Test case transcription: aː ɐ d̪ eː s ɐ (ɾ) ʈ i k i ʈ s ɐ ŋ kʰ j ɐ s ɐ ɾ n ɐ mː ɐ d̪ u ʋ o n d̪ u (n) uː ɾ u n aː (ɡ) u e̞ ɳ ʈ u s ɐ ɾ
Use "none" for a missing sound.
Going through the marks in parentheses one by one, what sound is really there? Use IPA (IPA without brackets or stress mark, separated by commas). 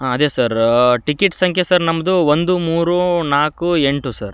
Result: ɾ, m, k